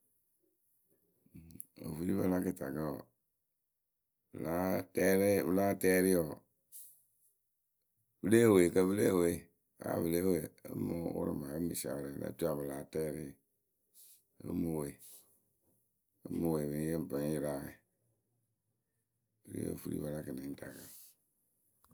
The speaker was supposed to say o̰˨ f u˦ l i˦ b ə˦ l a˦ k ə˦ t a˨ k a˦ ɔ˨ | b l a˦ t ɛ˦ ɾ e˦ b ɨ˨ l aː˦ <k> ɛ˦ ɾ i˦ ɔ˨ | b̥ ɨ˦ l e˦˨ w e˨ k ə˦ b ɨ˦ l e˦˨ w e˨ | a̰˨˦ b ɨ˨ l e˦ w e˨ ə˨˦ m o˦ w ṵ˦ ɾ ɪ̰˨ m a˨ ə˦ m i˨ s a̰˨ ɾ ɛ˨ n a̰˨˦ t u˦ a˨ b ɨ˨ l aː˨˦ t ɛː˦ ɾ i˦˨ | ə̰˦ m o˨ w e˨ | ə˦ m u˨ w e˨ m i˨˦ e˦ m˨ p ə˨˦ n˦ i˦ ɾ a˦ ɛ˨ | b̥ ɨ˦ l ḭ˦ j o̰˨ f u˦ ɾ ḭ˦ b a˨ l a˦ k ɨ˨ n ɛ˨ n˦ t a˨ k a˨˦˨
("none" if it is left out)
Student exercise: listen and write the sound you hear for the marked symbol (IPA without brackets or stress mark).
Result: t